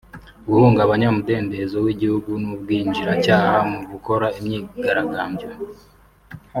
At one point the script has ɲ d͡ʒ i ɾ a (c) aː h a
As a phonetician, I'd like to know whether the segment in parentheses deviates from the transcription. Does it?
no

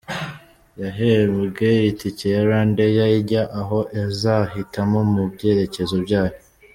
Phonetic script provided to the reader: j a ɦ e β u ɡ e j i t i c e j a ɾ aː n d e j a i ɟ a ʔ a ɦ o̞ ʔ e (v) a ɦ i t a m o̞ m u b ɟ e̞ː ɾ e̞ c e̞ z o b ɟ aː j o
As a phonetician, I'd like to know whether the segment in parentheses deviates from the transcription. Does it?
yes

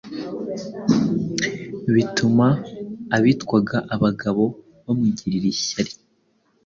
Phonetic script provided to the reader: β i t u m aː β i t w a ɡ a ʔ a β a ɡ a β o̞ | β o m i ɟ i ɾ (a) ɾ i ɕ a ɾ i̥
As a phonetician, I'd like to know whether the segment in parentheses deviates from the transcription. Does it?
yes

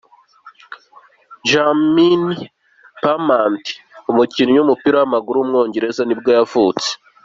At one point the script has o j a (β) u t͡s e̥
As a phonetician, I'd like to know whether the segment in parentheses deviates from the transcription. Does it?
yes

